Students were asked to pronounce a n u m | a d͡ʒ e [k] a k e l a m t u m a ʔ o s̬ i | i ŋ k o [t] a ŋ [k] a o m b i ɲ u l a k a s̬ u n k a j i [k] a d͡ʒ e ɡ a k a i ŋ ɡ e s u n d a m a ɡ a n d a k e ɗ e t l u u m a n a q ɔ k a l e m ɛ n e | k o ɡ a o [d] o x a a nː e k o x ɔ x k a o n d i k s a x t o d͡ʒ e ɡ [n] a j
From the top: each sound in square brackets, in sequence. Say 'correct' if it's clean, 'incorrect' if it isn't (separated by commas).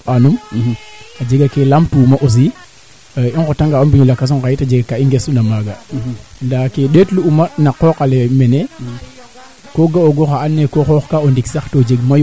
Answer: incorrect, correct, incorrect, incorrect, incorrect, incorrect